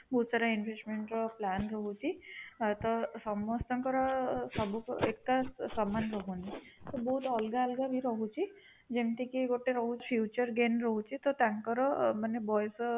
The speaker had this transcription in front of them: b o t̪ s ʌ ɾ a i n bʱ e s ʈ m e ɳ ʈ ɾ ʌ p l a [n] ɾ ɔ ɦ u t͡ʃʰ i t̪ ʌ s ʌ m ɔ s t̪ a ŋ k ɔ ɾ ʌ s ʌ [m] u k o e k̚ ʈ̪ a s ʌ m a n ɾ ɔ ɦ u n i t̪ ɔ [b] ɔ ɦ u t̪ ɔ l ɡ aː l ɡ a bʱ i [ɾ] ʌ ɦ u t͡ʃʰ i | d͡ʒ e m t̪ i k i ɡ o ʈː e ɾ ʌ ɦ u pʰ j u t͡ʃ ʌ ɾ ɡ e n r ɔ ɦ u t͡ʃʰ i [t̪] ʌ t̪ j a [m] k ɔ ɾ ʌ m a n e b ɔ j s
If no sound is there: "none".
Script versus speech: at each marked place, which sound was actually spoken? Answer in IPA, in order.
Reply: n, b, b, ɾ, t̪, ŋ

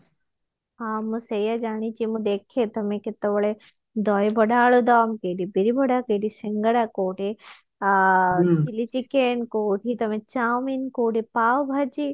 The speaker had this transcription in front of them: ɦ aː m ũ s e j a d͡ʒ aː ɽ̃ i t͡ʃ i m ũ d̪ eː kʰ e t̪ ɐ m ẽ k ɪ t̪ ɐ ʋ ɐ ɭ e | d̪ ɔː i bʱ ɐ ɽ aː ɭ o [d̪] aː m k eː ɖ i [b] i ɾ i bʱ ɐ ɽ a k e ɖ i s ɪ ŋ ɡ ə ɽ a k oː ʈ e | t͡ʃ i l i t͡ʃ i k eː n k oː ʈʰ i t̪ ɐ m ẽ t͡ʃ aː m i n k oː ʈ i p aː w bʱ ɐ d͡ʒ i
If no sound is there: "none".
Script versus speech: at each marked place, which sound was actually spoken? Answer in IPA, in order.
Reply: d̪, b

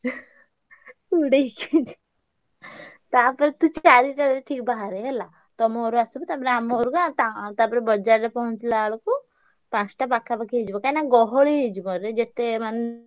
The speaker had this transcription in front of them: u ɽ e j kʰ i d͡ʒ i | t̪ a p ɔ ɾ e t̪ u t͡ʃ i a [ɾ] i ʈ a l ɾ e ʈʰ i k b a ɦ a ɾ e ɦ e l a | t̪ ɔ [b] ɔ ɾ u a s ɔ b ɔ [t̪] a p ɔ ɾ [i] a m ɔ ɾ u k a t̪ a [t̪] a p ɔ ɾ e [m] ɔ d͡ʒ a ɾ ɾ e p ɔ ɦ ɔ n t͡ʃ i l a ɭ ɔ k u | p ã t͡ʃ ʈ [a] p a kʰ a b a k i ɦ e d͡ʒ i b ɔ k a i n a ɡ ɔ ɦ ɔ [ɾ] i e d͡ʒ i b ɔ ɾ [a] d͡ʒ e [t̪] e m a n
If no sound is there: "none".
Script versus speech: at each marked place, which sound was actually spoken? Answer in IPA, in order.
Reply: ɾ, m, t̪, e, t̪, b, a, ɭ, e, t̪

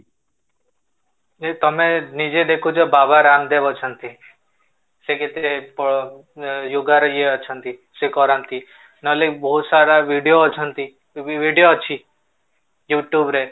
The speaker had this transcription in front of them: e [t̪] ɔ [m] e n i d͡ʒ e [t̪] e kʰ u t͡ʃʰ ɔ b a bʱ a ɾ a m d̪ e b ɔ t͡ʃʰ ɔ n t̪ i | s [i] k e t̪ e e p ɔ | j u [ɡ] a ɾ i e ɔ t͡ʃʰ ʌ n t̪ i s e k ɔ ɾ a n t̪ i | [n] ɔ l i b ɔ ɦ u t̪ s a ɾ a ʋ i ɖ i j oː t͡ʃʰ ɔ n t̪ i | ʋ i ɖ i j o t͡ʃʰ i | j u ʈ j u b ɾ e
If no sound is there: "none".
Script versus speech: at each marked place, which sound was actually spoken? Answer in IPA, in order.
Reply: t̪, m, d̪, e, ɡ, n

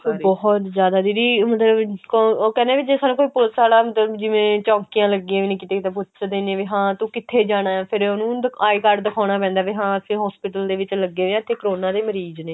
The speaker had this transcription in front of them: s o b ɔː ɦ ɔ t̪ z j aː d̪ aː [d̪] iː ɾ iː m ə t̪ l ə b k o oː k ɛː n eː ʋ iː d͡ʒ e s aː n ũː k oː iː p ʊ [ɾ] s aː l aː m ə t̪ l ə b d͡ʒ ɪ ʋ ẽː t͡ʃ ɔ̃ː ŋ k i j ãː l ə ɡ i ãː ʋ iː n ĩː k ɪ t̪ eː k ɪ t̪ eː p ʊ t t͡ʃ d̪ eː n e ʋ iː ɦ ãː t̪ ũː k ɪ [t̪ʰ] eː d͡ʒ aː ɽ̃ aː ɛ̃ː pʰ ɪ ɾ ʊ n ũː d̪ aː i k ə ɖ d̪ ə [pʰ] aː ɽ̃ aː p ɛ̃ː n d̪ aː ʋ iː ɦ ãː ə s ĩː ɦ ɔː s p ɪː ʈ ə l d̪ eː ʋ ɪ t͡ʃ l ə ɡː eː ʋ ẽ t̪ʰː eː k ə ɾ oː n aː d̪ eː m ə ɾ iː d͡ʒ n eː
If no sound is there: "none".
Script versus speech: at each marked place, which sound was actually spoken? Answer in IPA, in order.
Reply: d̪, l, t̪ʰ, kʰ

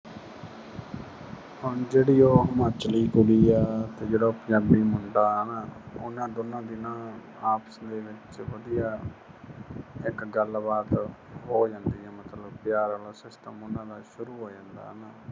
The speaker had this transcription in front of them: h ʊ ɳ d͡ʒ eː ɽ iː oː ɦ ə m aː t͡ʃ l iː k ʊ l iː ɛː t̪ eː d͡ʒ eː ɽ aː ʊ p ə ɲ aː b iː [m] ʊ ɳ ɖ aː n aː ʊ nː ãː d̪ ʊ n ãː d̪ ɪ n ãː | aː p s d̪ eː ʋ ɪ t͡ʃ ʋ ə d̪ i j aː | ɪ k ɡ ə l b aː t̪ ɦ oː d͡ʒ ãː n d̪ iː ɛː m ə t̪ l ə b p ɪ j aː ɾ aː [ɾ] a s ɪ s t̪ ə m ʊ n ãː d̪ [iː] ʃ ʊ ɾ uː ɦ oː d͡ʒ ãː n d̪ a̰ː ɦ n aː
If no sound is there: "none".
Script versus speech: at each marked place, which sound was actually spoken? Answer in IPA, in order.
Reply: m, l, aː

